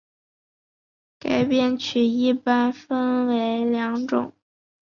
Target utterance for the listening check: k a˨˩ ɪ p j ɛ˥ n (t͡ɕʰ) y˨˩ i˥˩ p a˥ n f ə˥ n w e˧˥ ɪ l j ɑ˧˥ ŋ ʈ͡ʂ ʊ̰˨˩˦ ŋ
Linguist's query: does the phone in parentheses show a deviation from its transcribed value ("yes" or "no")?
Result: no